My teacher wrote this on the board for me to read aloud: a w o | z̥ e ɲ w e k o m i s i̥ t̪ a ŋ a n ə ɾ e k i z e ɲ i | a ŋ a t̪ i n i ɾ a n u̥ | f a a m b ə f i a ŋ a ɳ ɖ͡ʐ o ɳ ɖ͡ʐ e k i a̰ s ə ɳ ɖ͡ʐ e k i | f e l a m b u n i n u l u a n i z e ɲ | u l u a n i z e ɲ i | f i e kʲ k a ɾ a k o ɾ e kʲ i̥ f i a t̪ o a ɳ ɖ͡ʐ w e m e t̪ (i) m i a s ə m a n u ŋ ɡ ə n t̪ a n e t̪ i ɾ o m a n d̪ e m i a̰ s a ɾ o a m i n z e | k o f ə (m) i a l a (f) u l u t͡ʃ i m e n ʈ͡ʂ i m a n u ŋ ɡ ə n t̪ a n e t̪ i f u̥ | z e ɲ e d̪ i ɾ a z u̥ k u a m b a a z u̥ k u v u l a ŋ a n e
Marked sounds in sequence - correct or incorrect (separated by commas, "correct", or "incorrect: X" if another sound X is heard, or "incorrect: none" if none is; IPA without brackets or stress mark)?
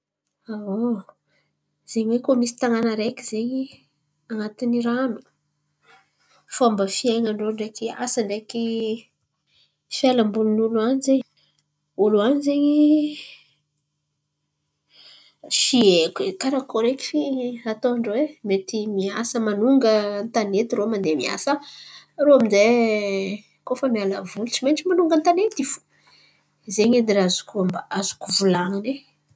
correct, correct, incorrect: v